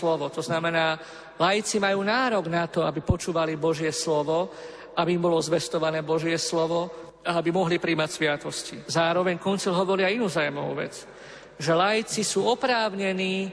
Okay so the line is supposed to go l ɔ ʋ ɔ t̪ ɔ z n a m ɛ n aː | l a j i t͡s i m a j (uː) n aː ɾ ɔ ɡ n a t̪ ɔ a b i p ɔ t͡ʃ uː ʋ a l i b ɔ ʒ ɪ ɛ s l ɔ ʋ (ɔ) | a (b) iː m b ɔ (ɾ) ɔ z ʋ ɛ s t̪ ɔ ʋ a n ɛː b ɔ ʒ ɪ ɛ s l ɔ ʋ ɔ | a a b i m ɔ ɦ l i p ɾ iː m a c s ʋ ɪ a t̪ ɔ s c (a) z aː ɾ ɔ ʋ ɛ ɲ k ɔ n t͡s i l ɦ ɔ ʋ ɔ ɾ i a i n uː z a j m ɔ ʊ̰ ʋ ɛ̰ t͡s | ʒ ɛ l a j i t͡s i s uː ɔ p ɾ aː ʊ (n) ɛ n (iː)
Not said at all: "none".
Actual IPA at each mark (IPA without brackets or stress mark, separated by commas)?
uː, ɔ, b, l, i, ɲ, iː